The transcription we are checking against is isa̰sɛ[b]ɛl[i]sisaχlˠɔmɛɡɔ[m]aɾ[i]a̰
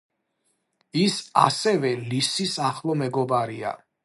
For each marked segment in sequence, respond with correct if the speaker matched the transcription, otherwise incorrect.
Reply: incorrect, correct, incorrect, correct

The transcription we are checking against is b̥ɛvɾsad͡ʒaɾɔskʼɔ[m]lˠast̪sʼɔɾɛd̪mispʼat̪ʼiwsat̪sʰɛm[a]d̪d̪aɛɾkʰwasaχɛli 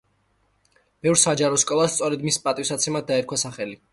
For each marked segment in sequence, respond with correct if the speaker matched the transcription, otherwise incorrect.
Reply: incorrect, correct

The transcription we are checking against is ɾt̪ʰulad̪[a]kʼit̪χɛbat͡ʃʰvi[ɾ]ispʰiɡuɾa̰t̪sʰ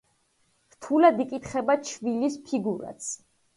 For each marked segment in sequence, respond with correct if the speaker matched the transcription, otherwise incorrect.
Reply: incorrect, incorrect

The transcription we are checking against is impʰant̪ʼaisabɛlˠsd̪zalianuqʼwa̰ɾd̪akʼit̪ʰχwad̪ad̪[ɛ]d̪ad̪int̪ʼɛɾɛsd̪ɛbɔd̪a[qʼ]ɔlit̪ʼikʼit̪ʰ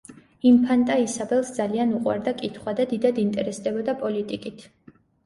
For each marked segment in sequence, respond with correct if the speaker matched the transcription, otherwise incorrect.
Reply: incorrect, incorrect

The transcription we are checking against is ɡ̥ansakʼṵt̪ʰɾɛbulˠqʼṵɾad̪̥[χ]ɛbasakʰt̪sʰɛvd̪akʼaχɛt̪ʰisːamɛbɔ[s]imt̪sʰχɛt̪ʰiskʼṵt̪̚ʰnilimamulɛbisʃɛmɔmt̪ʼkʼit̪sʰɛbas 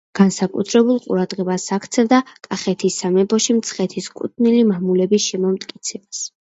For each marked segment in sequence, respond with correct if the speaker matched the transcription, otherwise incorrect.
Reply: incorrect, incorrect

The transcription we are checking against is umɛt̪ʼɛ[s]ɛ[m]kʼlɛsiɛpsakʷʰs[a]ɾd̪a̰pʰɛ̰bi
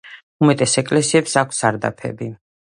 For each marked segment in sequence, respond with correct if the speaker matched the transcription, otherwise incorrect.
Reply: correct, incorrect, correct

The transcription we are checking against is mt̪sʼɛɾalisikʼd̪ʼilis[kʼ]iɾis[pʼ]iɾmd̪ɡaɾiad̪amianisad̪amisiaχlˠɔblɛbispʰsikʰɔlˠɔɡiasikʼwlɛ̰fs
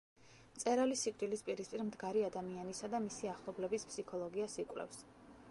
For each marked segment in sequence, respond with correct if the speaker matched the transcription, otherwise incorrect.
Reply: incorrect, correct

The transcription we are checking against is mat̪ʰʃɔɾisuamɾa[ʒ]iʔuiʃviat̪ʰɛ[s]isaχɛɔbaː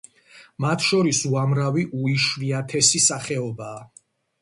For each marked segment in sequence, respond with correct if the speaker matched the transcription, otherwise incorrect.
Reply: incorrect, correct

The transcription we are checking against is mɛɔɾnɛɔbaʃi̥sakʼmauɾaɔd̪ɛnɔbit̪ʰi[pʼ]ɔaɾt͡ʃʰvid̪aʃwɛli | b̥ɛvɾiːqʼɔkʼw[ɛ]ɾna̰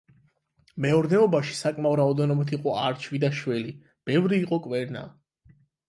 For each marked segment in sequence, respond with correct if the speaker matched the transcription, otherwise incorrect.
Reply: incorrect, correct

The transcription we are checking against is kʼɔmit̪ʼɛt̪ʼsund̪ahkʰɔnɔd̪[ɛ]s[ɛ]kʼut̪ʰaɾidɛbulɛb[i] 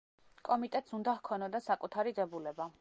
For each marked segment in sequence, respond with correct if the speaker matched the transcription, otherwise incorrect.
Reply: incorrect, incorrect, incorrect

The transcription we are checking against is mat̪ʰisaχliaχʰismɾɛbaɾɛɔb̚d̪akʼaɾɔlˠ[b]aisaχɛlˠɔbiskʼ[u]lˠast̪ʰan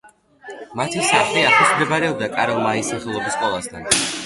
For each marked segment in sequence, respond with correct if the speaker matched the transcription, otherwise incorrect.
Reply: incorrect, incorrect

